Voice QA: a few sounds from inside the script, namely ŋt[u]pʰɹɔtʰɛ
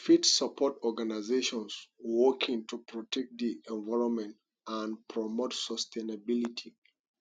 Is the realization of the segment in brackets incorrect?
no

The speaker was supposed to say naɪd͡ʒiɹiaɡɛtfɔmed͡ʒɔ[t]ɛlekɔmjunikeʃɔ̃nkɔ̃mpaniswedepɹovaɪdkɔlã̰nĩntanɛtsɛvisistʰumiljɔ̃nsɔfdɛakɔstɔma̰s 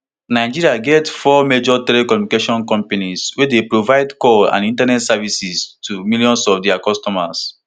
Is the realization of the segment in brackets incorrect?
no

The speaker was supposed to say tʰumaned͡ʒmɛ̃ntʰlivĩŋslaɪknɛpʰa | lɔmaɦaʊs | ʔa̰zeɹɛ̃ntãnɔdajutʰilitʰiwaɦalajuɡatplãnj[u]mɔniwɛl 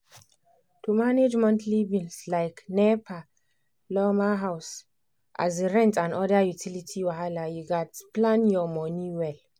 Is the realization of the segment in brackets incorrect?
yes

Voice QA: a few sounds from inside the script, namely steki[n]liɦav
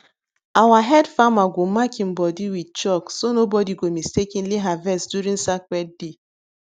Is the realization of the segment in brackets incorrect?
no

